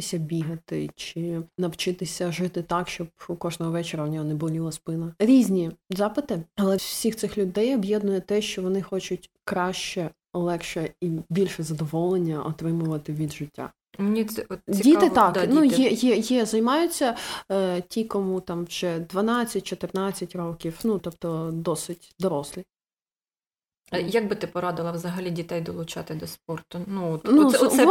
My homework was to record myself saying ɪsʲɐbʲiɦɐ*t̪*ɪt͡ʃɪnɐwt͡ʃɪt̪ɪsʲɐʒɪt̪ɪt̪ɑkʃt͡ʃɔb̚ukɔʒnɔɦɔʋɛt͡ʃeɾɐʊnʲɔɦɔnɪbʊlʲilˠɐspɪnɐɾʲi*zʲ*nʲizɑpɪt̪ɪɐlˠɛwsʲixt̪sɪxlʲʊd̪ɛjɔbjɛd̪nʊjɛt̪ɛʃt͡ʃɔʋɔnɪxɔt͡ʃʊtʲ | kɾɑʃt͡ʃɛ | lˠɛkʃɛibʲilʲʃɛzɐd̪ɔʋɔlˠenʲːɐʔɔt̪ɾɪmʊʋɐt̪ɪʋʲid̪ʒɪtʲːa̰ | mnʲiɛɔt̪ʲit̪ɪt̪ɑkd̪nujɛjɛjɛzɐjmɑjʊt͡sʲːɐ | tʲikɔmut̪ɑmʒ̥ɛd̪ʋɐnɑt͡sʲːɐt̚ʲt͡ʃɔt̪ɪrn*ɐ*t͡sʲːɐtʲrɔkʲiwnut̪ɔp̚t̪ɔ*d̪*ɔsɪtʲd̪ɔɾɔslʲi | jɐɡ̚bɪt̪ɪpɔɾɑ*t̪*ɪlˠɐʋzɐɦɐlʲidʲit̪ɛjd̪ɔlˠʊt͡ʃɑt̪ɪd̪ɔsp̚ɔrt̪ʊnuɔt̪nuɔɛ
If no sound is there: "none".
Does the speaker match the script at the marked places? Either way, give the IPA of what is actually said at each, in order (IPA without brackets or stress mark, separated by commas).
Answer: t̪, zʲ, ɑ, d̪, d̪